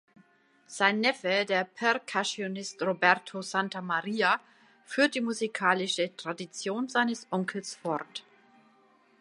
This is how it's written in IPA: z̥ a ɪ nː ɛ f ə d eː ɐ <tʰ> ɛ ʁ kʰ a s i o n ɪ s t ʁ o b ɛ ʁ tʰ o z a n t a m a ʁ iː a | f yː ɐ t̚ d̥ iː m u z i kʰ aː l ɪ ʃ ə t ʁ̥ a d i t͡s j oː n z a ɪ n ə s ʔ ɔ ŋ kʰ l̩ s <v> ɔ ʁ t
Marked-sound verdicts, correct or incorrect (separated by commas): incorrect, incorrect